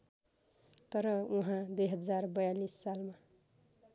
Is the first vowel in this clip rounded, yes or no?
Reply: no